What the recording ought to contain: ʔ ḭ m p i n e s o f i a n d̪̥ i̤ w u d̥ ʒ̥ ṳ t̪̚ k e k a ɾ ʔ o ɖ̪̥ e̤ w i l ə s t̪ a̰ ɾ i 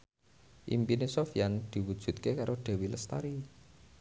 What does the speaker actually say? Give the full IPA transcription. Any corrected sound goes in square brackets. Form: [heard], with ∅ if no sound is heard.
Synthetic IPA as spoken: ʔ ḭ m p i n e s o f [j] a n d̪̥ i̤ w u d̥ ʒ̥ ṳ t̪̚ k e k a ɾ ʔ o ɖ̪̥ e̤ w i l ə s t̪ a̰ ɾ i